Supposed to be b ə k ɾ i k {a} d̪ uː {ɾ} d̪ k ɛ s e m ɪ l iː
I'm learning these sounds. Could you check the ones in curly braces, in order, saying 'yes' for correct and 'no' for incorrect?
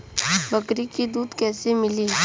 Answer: no, no

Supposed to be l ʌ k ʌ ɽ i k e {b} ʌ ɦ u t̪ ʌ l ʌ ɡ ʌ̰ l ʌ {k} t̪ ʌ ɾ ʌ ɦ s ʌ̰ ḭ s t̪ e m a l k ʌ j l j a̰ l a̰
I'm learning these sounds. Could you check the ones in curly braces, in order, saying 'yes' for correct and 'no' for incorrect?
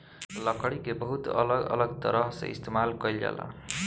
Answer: yes, no

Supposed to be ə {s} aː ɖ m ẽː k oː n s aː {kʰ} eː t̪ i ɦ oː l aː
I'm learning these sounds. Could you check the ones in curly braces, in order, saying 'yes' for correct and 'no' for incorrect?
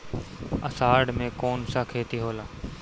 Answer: yes, yes

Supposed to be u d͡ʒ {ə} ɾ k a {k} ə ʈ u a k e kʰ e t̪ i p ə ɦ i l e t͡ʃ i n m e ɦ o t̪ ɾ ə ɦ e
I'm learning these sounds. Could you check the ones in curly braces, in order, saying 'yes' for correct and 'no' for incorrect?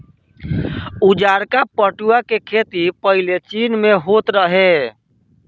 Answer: no, no

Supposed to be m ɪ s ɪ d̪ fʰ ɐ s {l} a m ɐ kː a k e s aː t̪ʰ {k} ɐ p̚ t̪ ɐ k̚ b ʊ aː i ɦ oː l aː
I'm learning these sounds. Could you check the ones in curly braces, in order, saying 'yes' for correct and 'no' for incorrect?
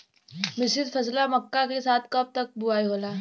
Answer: yes, yes

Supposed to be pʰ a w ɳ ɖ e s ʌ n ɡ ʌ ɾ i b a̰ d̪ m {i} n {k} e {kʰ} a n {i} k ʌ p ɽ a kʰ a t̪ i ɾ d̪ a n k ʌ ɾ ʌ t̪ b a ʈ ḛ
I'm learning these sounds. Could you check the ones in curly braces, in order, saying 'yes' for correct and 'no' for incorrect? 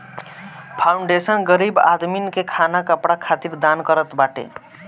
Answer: yes, yes, yes, no

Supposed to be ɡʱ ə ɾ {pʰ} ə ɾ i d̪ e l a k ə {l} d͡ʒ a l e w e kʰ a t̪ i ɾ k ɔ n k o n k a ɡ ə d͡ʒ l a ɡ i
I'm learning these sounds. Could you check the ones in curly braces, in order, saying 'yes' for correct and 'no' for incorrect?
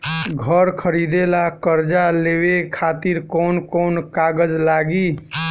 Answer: no, no

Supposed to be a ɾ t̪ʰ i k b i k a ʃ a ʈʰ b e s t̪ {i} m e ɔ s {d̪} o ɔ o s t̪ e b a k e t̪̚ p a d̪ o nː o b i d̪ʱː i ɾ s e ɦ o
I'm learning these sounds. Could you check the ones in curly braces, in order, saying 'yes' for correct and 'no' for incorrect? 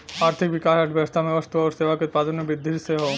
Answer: no, no

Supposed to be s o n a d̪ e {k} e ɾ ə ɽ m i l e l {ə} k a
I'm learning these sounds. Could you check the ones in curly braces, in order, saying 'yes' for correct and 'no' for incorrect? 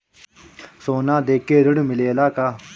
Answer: yes, no

